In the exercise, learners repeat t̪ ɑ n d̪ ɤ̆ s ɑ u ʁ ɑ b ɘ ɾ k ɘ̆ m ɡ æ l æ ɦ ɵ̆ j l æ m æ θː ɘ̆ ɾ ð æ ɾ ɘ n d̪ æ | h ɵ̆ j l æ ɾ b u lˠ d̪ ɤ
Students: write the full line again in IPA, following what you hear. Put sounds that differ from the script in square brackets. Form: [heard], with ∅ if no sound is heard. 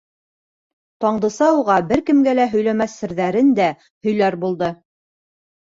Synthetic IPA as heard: t̪ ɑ [ɴ] d̪ ɤ̆ s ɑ u ʁ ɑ b ɘ ɾ k ɘ̆ m ɡ æ l æ ɦ ɵ̆ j l æ m æ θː ɘ̆ ɾ ð æ ɾ ɘ n d̪ æ | h ɵ̆ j l æ ɾ b u lˠ d̪ ɤ